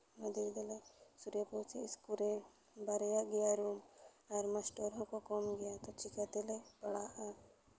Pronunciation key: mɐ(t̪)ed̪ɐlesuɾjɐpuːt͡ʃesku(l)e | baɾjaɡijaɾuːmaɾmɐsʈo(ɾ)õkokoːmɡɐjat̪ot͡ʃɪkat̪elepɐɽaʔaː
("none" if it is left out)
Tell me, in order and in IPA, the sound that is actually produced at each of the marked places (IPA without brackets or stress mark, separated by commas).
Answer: d̪, ɾ, ɾ